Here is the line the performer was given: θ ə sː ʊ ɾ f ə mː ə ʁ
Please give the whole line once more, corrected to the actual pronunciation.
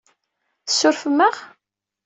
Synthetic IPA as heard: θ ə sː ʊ ɾ f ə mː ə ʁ